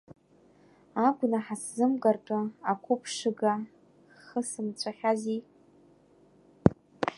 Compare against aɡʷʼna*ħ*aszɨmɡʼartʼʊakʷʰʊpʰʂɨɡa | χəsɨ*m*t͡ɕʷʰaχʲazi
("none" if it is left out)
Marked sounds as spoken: ħ, m

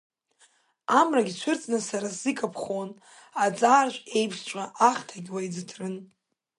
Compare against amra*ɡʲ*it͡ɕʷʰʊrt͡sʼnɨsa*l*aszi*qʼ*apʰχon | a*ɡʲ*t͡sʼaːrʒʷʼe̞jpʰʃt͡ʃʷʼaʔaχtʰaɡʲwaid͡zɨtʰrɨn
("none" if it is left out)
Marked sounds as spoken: ɡʲ, ɾ, kʼ, none

